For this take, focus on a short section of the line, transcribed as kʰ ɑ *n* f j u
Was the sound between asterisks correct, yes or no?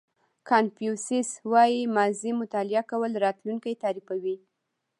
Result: yes